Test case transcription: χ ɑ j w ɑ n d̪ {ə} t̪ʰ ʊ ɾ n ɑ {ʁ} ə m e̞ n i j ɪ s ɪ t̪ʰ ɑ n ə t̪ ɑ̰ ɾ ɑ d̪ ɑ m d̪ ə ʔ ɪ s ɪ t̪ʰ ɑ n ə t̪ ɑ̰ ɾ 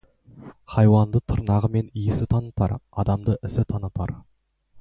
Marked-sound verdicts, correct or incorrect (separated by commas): correct, correct